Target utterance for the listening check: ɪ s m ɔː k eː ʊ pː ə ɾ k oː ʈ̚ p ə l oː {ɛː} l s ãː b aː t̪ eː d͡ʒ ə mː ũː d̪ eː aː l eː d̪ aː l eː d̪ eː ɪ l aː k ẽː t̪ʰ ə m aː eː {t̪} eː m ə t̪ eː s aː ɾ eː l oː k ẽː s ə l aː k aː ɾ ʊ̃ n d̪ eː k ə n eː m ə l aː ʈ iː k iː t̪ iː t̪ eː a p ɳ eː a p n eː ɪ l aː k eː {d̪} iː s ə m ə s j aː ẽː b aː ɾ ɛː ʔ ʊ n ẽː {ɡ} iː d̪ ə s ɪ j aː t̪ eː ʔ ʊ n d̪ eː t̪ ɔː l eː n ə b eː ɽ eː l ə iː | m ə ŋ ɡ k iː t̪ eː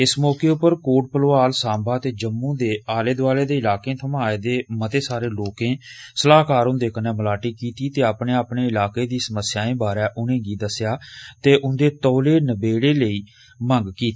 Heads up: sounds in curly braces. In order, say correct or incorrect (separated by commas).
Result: incorrect, incorrect, correct, correct